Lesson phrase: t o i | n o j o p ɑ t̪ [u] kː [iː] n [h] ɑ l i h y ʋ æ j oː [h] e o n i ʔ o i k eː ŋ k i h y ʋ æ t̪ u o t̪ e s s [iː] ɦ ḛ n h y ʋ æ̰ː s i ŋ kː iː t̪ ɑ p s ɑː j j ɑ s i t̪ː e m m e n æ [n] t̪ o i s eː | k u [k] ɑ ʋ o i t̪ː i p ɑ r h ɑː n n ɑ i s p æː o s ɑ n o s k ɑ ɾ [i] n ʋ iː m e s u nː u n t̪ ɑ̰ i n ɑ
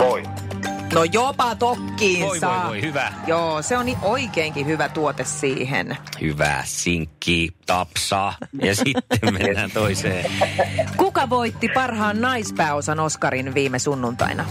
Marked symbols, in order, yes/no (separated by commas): no, yes, no, no, yes, yes, yes, yes